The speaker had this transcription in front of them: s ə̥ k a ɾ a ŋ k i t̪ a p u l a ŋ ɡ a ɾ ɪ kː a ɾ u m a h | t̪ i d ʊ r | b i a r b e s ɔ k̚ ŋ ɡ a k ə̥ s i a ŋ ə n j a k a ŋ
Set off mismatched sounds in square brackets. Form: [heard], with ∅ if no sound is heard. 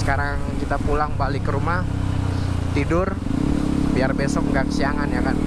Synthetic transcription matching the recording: s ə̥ k a ɾ a ŋ k i t̪ a p u l a ŋ [b] a [l] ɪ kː [ə] ɾ u m a h | t̪ i d ʊ r | b i a r b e s ɔ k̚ ŋ ɡ a k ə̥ s i a ŋ [a] n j a k a [n]